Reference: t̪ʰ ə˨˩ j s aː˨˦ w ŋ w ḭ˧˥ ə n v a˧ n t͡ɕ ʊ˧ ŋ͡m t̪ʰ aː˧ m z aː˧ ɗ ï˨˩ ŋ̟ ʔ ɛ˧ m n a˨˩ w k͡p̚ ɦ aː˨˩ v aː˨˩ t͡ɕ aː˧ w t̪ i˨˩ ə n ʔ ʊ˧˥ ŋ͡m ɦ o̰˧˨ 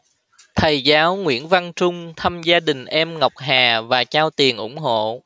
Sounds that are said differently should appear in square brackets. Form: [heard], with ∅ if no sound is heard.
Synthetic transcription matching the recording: t̪ʰ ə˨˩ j [z] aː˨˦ w ŋ w ḭ˧˥ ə n v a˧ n t͡ɕ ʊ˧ ŋ͡m t̪ʰ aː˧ m z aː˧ ɗ ï˨˩ ŋ̟ ʔ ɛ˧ m [ŋ] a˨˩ w k͡p̚ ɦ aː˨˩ v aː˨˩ t͡ɕ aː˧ w t̪ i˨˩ ə n ʔ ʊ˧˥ ŋ͡m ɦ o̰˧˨

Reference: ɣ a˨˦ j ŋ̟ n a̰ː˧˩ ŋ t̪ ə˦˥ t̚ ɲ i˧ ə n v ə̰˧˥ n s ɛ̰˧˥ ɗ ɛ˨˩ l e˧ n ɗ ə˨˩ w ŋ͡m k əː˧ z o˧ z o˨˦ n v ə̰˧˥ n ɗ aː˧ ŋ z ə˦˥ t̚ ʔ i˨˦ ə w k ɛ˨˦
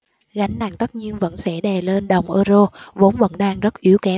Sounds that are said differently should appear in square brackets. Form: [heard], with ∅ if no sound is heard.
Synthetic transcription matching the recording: ɣ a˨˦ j ŋ̟ n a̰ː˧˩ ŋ t̪ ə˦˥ t̚ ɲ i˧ ə n v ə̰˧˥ n s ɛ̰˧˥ ɗ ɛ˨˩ l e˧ n ɗ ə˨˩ w ŋ͡m [ʔ] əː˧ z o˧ [v] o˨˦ n v ə̰˧˥ n ɗ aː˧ ŋ z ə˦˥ t̚ ʔ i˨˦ ə w k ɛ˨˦

